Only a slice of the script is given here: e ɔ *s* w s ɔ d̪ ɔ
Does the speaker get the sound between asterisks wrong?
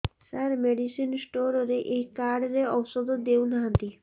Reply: yes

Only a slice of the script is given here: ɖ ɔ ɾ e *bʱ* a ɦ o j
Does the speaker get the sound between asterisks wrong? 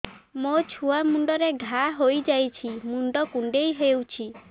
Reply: yes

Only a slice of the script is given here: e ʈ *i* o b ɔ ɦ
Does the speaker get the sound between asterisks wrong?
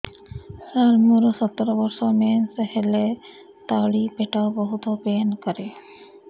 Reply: yes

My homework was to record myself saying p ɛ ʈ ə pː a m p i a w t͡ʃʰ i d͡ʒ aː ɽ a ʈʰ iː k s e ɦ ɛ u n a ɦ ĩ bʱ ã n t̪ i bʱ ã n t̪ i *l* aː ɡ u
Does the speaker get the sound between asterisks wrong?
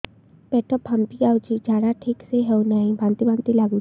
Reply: no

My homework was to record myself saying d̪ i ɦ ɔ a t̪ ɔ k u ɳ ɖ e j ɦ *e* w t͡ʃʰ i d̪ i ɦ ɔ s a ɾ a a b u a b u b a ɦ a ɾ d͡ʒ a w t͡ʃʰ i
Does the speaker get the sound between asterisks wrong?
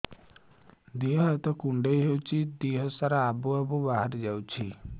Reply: no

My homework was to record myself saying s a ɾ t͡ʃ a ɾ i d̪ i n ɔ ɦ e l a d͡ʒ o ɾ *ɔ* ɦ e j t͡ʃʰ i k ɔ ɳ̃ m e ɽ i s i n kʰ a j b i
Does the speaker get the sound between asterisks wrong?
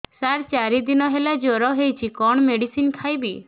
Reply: no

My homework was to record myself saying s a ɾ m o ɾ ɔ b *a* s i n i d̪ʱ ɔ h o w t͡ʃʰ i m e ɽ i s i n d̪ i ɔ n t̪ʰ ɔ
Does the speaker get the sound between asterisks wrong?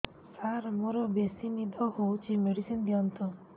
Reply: yes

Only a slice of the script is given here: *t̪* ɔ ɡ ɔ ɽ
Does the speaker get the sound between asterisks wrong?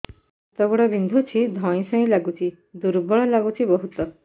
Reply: no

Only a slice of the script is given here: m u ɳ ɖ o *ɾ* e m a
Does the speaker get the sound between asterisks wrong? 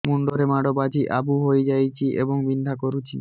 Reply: no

